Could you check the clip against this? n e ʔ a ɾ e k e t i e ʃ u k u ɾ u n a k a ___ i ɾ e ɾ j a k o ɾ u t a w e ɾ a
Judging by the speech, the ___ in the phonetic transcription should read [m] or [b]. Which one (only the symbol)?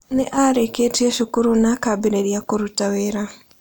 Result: b